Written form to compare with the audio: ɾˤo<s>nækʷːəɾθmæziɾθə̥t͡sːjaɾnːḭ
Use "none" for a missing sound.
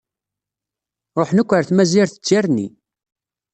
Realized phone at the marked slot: ħ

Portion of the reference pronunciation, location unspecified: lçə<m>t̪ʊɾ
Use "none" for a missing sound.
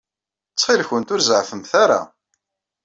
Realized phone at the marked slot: n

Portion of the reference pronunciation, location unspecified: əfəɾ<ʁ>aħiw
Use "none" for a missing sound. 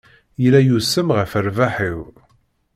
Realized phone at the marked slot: v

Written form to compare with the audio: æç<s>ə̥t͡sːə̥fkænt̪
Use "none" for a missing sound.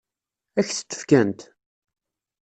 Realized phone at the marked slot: θ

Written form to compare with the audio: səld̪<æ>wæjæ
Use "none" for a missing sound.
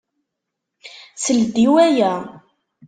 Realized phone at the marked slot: i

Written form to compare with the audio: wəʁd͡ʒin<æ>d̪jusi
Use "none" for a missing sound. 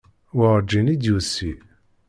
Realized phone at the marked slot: i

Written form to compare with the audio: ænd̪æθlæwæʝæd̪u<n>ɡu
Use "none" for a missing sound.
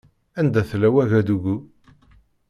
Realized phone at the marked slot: none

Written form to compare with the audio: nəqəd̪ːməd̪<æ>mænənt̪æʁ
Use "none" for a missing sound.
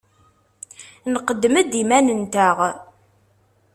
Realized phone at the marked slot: i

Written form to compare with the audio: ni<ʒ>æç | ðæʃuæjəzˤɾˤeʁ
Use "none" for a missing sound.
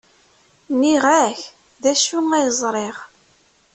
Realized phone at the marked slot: ʁ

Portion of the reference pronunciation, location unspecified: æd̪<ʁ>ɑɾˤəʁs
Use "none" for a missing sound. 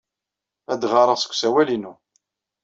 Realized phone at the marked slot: ʁ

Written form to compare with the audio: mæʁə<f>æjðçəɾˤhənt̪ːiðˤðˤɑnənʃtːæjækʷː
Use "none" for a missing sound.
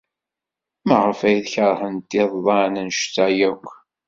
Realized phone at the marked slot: f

